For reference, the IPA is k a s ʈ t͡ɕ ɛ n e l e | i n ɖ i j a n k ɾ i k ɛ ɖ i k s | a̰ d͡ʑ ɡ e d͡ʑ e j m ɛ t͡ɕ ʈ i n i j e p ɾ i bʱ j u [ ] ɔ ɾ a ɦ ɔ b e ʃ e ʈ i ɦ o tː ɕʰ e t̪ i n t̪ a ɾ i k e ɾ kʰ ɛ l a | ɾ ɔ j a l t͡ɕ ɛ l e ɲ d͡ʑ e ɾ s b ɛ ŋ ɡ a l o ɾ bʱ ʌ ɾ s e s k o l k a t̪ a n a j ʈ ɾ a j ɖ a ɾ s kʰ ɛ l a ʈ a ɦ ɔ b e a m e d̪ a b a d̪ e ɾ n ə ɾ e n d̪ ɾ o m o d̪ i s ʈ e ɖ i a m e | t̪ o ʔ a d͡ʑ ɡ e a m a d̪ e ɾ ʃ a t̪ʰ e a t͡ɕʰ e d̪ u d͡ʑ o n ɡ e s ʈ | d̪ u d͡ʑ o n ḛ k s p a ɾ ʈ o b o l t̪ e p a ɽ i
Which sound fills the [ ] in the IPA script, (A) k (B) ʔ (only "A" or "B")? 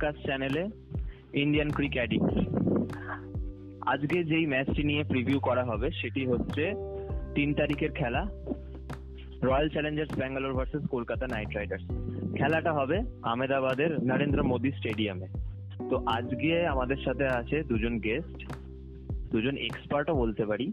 A